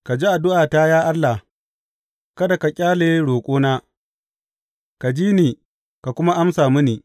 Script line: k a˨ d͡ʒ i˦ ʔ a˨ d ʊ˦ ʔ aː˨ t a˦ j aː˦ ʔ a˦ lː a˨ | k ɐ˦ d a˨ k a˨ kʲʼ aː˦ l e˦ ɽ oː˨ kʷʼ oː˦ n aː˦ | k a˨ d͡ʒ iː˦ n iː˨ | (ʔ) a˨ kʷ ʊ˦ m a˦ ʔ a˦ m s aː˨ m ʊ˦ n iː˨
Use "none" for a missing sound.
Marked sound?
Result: k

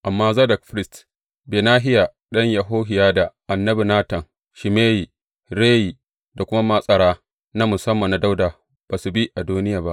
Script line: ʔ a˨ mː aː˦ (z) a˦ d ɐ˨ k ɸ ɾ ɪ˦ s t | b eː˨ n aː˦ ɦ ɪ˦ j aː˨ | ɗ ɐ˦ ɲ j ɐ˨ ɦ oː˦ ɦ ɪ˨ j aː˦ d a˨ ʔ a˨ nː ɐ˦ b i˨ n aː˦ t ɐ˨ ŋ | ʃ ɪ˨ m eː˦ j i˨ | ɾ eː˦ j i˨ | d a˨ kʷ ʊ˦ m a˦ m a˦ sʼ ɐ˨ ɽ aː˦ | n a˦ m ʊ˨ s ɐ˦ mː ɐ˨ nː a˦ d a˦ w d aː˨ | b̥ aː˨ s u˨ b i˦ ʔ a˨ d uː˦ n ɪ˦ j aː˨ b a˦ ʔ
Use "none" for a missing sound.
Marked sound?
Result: z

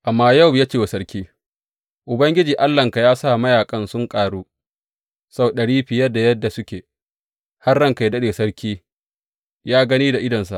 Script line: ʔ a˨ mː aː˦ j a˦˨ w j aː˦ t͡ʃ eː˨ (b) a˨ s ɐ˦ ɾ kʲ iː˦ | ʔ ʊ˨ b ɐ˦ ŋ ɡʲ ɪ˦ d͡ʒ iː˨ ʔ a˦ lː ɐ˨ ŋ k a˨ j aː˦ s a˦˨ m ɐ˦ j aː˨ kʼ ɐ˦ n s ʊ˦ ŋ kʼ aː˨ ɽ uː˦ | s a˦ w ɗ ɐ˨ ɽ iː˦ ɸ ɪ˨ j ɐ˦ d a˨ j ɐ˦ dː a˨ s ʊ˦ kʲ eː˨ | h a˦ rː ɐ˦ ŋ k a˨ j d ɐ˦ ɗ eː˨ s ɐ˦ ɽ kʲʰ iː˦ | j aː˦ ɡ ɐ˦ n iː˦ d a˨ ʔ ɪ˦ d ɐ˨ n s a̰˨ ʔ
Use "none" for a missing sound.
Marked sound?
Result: w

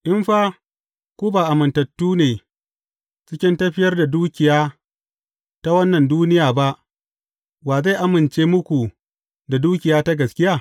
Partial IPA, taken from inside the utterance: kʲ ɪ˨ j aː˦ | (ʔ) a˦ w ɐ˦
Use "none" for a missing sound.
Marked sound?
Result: t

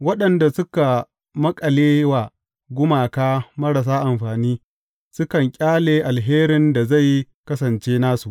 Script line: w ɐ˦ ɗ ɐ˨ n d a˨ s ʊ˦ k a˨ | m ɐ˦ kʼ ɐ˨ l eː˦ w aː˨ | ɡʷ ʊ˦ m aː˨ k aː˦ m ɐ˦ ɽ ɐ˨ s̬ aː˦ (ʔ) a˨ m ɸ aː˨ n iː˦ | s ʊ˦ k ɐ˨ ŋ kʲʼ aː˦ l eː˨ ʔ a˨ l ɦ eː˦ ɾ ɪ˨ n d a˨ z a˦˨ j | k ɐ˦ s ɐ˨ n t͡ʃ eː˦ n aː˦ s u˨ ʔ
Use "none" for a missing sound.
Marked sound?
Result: ʔ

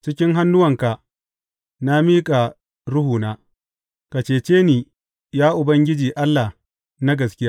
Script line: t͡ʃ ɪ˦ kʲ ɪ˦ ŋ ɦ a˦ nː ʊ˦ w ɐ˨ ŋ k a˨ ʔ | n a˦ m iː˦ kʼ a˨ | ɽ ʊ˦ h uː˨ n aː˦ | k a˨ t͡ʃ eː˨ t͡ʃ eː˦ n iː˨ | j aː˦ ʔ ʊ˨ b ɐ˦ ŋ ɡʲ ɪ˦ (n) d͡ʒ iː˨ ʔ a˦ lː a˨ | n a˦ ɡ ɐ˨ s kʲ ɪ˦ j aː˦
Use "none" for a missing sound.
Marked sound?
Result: none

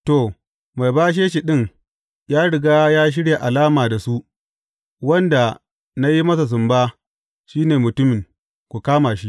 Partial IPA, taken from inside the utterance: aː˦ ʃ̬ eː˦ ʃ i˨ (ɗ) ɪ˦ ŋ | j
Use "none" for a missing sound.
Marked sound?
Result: ɗ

